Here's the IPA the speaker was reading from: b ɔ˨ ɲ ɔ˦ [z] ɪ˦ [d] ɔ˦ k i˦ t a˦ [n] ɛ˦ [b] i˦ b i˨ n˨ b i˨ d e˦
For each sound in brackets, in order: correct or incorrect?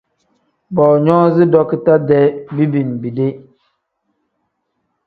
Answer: correct, correct, incorrect: d, correct

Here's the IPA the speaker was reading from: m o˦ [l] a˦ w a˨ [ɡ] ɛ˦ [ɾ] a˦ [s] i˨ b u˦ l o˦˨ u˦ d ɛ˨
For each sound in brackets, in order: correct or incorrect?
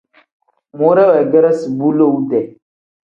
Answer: incorrect: ɾ, correct, correct, correct

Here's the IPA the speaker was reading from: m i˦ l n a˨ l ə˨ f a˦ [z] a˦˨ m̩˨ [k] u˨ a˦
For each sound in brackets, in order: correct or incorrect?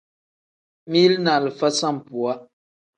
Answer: incorrect: s, incorrect: p

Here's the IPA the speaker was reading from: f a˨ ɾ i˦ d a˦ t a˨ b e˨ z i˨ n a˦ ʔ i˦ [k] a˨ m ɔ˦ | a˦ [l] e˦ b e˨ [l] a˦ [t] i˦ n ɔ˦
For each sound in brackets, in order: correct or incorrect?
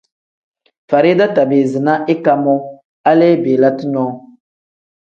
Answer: correct, correct, correct, correct

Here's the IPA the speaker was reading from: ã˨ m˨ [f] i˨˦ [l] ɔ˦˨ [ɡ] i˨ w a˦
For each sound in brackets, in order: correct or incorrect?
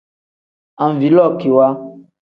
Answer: incorrect: v, correct, incorrect: k

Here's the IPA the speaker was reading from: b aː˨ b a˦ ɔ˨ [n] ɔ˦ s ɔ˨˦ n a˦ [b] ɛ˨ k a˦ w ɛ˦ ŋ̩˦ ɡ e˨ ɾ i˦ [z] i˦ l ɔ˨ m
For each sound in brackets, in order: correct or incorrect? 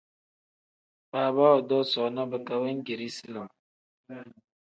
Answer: incorrect: d, correct, incorrect: s

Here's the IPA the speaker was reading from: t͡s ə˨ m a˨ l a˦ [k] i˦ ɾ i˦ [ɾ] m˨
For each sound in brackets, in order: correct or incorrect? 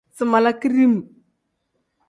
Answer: correct, incorrect: none

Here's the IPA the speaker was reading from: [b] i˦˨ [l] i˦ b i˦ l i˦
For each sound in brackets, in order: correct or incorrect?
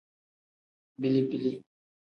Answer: correct, correct

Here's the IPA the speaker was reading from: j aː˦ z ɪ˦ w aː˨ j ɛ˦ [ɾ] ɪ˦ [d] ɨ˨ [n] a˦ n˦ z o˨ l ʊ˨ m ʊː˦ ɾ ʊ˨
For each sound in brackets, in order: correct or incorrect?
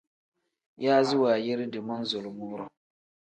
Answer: correct, correct, incorrect: m

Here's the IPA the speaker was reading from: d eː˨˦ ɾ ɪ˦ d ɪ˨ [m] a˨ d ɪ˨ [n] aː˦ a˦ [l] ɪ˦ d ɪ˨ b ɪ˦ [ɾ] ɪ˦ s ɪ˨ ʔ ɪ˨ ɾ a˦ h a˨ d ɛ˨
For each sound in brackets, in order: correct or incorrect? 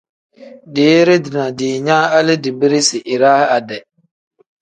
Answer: incorrect: n, incorrect: ɲ, correct, correct

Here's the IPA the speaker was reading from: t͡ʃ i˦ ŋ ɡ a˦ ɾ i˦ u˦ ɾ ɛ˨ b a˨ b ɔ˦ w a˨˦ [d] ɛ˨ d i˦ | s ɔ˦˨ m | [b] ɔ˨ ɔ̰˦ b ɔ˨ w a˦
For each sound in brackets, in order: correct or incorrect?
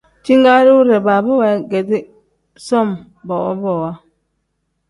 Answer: incorrect: ɡ, correct

